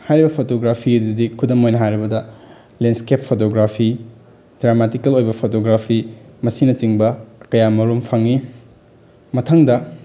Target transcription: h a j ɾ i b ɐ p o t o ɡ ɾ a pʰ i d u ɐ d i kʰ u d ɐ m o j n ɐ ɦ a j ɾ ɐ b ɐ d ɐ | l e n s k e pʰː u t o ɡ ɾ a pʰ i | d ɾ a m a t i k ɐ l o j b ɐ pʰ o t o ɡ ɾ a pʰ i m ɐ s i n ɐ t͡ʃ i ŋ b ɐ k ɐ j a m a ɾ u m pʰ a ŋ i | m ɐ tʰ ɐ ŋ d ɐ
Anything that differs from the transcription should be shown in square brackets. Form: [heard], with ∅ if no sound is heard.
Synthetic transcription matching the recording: h a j ɾ i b ɐ [pʰ] o t o ɡ ɾ a pʰ i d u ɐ d i kʰ u d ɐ m o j n ɐ ɦ a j ɾ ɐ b ɐ d ɐ | l e n s k e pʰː [o] t o ɡ ɾ a pʰ i | d ɾ a m a t i k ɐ l o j b ɐ pʰ o t o ɡ ɾ a pʰ i m ɐ s i n ɐ t͡ʃ i ŋ b ɐ k ɐ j a m [ɐ] ɾ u m pʰ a ŋ i | m ɐ tʰ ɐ ŋ d ɐ